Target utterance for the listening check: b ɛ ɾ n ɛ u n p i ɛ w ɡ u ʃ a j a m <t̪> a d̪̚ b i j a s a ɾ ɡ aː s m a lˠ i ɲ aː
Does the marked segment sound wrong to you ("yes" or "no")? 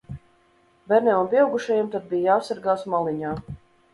no